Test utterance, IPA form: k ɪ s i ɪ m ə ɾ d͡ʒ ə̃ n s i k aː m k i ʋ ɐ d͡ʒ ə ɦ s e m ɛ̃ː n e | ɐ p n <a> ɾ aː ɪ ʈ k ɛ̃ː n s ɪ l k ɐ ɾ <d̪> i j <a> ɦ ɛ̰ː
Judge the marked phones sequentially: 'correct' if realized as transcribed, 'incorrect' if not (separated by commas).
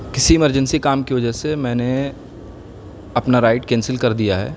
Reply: correct, correct, correct